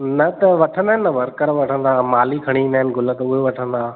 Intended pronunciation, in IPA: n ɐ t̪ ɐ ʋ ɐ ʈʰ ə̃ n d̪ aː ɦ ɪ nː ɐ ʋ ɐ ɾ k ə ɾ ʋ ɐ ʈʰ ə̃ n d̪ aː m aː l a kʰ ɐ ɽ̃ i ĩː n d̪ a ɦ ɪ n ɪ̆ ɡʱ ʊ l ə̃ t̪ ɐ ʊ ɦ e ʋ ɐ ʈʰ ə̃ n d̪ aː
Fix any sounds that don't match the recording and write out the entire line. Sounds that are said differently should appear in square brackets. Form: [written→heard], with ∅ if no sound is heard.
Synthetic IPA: n ɐ t̪ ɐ ʋ ɐ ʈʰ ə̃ n d̪ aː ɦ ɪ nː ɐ ʋ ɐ ɾ k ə ɾ ʋ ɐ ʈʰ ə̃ n d̪ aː m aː l [a→i] kʰ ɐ ɽ̃ i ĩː n d̪ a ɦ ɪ n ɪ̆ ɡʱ ʊ l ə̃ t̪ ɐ ʊ ɦ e ʋ ɐ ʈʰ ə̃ n d̪ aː